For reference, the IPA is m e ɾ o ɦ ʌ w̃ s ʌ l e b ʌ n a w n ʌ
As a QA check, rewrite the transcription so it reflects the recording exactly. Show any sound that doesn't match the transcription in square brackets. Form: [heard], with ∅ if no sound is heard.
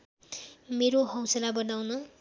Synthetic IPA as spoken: m e ɾ o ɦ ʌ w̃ s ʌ l [a] b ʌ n a w n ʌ